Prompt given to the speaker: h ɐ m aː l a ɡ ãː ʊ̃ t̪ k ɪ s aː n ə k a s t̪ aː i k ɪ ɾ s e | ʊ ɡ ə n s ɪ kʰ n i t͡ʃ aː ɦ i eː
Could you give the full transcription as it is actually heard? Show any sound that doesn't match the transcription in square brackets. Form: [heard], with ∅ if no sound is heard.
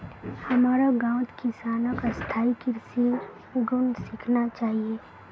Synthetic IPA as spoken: h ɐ m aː [ɾ] a ɡ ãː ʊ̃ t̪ k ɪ s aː n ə k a s [t̪ʰ] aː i k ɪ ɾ s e | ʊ ɡ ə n s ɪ kʰ n [a] t͡ʃ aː ɦ i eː

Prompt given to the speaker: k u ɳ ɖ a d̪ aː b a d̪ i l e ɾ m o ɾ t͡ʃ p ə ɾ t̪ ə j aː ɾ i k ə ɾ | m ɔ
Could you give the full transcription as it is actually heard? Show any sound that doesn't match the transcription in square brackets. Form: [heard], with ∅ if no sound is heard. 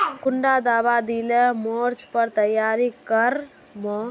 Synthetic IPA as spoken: k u ɳ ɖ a d̪ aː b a d̪ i l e [∅] m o ɾ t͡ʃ p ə ɾ t̪ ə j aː ɾ i k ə ɾ | m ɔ

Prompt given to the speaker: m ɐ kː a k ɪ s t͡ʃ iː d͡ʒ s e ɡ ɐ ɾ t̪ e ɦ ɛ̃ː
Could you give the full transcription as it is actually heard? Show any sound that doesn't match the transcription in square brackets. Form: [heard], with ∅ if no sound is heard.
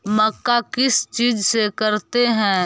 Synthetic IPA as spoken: m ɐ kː a k ɪ s t͡ʃ iː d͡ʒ s e [k] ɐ ɾ t̪ e ɦ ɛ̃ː

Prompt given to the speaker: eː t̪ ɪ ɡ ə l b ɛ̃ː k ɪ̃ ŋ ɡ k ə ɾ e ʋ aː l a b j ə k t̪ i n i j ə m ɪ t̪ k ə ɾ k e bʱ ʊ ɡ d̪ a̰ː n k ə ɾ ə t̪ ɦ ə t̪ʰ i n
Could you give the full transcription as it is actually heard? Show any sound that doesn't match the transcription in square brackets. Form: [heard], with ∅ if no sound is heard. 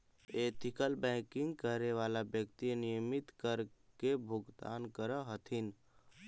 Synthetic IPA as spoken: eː t̪ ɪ [k] ə l b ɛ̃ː k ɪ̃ ŋ ɡ k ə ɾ e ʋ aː l a b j ə k t̪ i n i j ə m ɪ t̪ k ə ɾ k e bʱ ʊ ɡ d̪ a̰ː n k ə ɾ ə [∅] ɦ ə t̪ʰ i n

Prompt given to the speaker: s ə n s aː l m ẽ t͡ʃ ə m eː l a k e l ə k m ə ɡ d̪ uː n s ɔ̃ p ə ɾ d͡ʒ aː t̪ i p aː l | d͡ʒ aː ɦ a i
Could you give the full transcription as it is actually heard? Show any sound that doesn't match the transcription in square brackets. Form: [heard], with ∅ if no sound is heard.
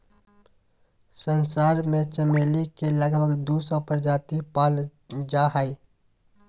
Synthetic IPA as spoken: s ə n s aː [ɾ] m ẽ t͡ʃ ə m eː l [i] k e l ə [ɡ] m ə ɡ d̪ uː [∅] s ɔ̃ p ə ɾ d͡ʒ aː t̪ i p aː l | d͡ʒ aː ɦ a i

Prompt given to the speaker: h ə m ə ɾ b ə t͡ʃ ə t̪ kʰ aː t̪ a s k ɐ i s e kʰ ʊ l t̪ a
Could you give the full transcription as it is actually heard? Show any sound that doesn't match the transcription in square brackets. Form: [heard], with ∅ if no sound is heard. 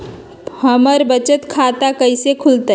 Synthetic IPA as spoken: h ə m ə ɾ b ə t͡ʃ ə t̪ kʰ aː t̪ a [∅] k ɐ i s e kʰ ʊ l t̪ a

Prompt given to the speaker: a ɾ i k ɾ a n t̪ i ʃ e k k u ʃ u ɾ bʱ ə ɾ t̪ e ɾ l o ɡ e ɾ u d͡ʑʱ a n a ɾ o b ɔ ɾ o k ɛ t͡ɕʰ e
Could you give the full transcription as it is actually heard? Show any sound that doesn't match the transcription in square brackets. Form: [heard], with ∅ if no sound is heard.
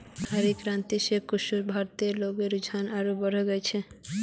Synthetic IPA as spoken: a ɾ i k ɾ a n t̪ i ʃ e k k u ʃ u ɾ bʱ [a] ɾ t̪ e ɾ l o ɡ e ɾ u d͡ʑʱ a n a ɾ o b ɔ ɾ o [ɡ] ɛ t͡ɕʰ e

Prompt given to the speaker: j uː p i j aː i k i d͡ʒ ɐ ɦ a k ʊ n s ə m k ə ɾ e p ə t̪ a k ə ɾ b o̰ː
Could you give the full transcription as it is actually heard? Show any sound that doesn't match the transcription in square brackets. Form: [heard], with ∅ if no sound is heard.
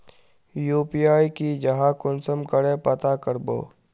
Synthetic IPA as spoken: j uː p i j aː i k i d͡ʒ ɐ ɦ a k ʊ n s ə m k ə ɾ e p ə t̪ a k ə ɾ b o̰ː

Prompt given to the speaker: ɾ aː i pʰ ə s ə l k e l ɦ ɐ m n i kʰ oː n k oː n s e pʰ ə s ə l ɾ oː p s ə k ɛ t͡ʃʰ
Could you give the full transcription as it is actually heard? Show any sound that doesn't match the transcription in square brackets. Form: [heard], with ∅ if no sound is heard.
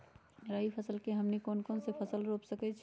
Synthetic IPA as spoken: ɾ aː i pʰ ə s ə l k e [∅] ɦ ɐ m n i [k] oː n k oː n s e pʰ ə s ə l ɾ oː p s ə k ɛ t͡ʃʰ

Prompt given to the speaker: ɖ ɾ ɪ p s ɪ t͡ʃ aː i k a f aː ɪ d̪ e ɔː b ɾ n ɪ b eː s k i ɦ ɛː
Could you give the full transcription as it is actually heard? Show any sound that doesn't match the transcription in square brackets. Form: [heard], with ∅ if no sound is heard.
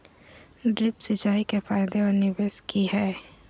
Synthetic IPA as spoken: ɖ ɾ ɪ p s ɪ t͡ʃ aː i k [e] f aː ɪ d̪ e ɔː [∅] ɾ n ɪ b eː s k i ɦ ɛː

